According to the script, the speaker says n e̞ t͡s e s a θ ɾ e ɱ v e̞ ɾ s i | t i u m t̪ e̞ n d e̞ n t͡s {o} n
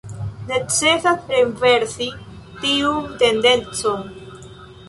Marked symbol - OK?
yes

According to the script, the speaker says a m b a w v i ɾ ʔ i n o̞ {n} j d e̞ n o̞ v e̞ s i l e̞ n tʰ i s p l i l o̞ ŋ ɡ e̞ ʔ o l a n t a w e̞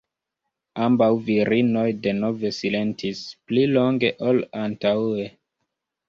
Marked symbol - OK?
no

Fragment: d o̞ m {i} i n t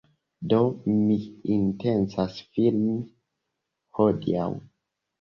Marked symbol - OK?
yes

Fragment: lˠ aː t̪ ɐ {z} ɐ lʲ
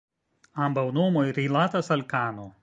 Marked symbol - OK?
no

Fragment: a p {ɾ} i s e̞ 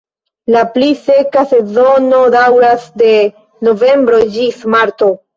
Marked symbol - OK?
no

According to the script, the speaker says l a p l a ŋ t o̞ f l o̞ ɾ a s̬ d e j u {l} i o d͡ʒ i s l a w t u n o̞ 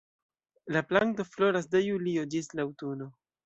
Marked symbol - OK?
yes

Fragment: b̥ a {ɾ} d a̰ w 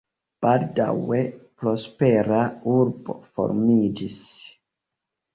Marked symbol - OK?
no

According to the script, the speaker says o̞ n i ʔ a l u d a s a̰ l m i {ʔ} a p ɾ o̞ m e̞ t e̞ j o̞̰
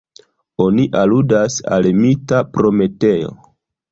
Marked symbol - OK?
no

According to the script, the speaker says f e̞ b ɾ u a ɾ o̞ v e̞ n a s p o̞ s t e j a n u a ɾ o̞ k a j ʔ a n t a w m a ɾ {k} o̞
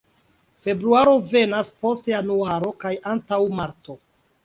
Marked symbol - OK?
no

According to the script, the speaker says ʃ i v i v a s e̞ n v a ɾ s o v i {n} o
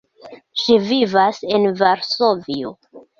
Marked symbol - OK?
no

